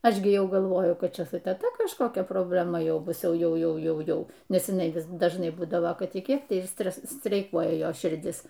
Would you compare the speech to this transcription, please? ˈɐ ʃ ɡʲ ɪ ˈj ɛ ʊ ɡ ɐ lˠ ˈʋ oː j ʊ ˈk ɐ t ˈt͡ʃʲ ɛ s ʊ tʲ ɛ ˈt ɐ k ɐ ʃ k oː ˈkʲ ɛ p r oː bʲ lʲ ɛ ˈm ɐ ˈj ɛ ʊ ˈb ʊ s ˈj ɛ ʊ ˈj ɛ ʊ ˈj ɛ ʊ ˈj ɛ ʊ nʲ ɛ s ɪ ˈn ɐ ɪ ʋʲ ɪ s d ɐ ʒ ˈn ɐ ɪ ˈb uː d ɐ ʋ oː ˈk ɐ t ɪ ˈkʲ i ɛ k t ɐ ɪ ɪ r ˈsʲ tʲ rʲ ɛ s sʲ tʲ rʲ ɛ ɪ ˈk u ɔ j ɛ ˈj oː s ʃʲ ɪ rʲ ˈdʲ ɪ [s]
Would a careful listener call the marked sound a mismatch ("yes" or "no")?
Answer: no